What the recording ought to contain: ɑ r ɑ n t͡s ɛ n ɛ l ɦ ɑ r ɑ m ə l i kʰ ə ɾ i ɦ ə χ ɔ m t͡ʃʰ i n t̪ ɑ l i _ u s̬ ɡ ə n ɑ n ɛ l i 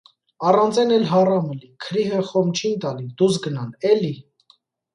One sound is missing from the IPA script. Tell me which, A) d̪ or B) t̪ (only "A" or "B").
A